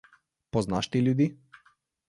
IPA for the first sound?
p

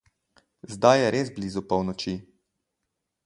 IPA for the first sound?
z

